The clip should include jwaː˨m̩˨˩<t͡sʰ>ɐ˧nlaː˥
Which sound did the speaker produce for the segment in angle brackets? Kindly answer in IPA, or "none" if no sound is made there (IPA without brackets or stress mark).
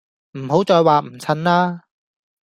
t͡sʰ